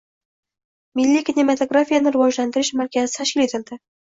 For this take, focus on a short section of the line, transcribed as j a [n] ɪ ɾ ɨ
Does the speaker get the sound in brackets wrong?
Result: no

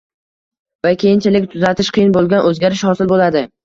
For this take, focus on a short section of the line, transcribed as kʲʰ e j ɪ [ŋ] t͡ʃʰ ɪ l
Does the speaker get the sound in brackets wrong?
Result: yes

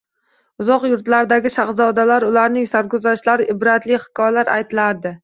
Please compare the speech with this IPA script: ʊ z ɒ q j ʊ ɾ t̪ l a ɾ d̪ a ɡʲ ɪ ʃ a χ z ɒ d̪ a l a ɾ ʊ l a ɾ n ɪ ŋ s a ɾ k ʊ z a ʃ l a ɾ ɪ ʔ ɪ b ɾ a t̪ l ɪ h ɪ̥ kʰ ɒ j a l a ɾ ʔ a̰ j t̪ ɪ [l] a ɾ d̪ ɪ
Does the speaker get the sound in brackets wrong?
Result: no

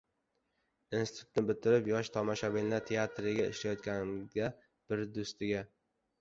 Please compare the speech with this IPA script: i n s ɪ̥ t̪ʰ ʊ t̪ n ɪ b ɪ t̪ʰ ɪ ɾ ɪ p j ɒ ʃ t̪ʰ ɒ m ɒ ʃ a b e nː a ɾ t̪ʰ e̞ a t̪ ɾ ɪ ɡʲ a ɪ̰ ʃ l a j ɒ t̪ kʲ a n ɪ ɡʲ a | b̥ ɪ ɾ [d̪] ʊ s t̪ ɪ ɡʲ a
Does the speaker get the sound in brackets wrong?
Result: no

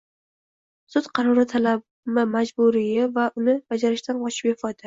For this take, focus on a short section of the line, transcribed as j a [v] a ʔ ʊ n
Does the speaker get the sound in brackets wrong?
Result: no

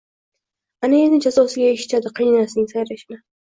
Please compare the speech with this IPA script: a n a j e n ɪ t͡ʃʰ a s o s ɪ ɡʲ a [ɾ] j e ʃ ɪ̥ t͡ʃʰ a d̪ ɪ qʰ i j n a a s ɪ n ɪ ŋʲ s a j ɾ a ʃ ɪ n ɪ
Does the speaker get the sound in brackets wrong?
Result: yes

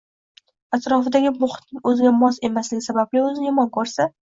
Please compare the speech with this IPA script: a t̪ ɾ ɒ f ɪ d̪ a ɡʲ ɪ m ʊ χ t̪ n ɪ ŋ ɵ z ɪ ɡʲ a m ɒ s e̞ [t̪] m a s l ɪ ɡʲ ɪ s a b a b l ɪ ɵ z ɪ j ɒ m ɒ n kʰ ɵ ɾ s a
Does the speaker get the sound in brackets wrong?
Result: yes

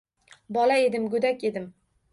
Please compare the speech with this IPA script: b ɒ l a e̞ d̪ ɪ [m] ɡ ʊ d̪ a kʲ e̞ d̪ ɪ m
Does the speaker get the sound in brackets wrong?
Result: no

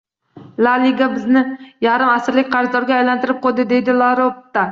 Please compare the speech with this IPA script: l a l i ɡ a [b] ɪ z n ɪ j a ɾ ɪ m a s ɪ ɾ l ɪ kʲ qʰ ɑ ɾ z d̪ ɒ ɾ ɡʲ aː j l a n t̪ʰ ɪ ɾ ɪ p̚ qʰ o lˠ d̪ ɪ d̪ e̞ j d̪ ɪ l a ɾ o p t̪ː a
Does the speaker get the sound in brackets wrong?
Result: no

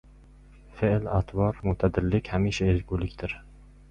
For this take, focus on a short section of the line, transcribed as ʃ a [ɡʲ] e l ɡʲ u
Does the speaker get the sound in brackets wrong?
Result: yes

